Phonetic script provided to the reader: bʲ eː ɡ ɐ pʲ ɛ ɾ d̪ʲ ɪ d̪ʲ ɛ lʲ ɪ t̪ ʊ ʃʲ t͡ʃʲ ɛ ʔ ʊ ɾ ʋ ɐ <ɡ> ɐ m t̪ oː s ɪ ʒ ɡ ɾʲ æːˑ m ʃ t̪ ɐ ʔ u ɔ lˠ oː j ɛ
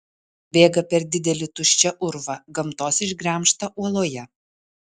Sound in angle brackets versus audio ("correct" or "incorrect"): correct